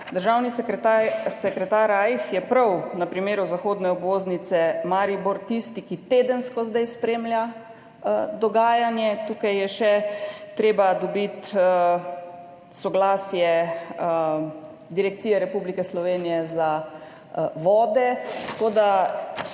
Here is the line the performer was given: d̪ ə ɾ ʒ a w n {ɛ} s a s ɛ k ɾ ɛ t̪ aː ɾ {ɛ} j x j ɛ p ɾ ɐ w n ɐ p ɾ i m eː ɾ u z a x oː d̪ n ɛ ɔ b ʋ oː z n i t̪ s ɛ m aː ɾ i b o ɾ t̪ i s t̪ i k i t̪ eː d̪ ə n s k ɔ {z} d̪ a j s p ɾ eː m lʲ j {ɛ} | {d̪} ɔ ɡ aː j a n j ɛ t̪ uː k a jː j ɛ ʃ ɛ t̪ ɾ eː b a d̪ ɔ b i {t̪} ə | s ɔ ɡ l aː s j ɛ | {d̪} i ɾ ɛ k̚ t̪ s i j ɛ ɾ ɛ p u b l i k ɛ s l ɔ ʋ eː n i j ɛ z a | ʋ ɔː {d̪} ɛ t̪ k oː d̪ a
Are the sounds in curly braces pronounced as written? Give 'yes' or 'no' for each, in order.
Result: no, no, yes, no, yes, yes, yes, yes

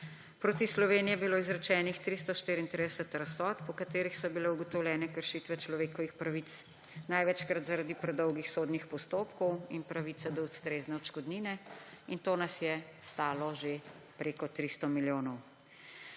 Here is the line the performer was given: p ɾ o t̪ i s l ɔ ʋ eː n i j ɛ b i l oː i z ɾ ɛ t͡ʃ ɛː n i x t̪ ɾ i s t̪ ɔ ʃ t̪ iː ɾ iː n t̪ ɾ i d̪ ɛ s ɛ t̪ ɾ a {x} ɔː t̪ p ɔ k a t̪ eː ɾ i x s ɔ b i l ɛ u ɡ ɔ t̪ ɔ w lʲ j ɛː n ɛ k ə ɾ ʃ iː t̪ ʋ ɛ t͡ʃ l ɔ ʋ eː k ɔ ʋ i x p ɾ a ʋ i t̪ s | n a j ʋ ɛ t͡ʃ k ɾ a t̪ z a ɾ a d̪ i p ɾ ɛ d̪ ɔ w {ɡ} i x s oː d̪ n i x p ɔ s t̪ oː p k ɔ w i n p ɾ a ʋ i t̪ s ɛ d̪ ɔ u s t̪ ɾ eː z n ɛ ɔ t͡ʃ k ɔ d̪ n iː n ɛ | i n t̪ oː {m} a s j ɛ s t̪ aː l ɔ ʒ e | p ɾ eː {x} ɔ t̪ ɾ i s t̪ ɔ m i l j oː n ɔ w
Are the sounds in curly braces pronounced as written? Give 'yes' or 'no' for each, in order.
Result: no, yes, no, no

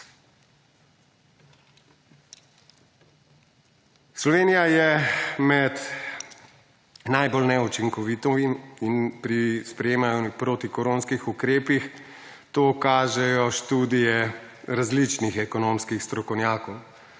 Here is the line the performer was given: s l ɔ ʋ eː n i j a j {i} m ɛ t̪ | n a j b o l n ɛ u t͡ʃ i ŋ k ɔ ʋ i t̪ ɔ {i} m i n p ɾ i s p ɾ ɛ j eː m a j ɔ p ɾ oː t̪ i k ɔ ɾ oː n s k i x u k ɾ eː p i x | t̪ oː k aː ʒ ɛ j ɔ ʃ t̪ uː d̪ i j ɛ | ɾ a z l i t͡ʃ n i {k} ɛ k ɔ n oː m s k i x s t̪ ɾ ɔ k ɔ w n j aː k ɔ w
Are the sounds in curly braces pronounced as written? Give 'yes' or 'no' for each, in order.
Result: no, yes, no

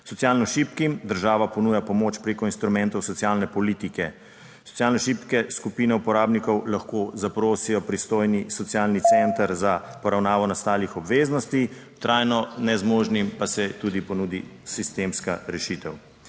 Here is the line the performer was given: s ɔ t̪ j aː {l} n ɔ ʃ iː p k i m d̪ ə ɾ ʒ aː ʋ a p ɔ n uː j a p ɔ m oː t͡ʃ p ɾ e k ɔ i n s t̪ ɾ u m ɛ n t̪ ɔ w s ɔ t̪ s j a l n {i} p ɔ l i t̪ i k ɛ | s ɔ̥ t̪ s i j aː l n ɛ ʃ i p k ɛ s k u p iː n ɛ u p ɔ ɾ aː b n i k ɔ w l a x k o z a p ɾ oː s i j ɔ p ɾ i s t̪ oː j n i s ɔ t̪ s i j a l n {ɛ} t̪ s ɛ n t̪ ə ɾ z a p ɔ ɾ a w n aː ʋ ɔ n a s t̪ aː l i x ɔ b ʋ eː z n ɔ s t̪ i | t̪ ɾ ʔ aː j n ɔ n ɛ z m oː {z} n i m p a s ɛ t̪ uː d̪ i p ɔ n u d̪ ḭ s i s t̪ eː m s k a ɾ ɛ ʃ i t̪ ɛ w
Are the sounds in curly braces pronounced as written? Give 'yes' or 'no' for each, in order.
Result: yes, no, no, no

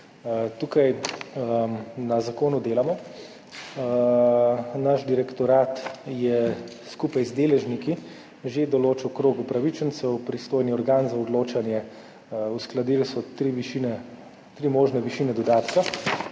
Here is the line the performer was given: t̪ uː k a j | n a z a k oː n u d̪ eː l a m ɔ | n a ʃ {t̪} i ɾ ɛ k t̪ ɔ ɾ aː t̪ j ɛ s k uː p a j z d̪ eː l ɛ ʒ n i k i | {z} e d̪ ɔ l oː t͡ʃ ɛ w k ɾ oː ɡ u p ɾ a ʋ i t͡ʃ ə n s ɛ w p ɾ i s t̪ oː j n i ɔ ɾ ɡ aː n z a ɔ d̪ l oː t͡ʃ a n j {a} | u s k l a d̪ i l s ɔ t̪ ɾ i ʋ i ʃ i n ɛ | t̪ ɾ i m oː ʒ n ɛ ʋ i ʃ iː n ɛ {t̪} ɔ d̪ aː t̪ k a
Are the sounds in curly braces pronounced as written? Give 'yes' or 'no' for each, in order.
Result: no, no, no, no

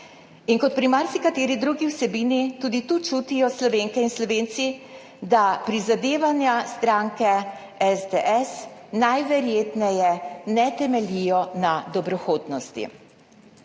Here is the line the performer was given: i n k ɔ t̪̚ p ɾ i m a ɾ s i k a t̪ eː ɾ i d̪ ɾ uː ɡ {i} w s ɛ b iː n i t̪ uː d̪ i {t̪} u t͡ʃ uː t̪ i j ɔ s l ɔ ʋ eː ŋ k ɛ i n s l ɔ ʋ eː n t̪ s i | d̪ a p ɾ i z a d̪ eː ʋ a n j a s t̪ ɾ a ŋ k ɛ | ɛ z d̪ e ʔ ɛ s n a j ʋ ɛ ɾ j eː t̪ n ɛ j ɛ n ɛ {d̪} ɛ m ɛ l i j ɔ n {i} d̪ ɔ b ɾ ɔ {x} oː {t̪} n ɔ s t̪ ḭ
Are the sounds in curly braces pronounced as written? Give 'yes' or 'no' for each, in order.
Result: yes, yes, no, no, yes, no

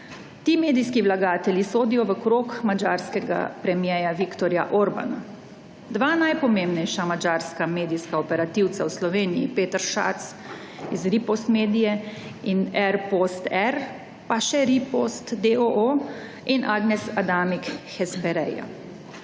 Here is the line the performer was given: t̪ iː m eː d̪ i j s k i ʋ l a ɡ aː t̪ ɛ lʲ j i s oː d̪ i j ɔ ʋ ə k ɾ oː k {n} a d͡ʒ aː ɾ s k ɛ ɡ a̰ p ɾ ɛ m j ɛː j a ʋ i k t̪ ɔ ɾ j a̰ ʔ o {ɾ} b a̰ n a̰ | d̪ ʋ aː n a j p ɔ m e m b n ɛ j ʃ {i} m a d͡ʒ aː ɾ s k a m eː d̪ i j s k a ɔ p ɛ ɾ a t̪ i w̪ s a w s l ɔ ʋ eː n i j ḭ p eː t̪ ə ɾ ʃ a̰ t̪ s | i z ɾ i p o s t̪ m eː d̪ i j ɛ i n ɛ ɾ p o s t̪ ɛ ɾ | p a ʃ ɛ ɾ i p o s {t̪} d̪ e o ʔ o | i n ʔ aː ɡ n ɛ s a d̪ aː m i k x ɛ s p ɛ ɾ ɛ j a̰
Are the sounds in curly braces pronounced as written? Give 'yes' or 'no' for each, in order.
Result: no, yes, no, yes

